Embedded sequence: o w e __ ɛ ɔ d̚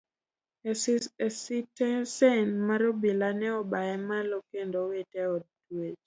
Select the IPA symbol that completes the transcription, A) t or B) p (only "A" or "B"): A